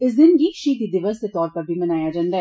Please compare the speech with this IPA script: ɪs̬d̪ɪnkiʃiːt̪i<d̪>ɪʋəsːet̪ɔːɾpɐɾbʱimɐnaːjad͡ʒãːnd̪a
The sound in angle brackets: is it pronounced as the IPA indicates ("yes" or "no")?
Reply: yes